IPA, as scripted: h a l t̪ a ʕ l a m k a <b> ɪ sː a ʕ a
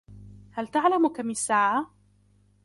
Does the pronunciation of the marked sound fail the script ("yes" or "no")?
yes